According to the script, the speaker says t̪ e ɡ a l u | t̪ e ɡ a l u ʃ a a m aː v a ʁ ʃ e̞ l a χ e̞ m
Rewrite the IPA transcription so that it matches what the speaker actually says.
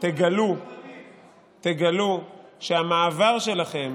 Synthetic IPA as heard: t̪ e ɡ a l u | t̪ e ɡ a l u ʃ e a m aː v a ʁ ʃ e̞ l a χ e̞ m